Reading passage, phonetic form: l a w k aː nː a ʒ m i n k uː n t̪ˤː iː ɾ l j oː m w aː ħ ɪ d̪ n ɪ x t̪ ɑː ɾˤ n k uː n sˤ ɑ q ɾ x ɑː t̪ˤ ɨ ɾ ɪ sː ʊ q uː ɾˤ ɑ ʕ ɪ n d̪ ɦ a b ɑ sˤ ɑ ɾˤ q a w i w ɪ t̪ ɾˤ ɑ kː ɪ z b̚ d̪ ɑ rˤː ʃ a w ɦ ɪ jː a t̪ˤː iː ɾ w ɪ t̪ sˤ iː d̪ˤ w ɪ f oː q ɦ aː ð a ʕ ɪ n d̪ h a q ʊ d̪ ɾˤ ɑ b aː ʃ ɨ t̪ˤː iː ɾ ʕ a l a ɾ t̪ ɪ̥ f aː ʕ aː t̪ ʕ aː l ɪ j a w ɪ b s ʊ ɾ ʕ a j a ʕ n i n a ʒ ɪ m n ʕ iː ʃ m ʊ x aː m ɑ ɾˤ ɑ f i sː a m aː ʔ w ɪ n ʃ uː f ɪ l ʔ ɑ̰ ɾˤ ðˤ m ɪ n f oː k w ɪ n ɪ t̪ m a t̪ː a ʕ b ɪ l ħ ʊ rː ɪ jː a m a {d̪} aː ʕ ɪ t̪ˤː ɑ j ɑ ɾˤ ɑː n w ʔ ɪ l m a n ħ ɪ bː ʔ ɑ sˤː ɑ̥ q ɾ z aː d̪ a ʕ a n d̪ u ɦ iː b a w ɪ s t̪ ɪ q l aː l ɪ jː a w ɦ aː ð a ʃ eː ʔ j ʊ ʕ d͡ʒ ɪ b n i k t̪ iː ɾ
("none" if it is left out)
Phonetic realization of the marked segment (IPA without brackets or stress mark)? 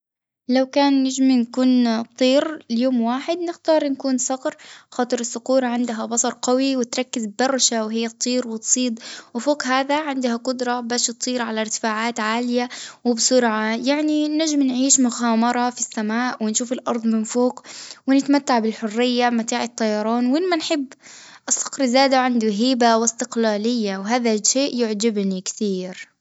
t̪